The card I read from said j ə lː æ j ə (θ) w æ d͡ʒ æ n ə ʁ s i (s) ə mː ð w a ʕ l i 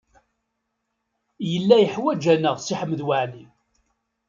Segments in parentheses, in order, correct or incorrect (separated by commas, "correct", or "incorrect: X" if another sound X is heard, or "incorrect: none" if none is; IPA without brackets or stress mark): incorrect: ħ, incorrect: ħ